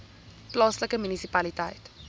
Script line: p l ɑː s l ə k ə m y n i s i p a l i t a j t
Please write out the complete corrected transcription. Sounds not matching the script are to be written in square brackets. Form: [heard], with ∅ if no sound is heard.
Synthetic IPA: p l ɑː s l ə k ə m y n i s i p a l i t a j t